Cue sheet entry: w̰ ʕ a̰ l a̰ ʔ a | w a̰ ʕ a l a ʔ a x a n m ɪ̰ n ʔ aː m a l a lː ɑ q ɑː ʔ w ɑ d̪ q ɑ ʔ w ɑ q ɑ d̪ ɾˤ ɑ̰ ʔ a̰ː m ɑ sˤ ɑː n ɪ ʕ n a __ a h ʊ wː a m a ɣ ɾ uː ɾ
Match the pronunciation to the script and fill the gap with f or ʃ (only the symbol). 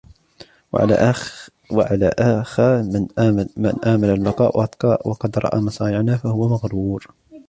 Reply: f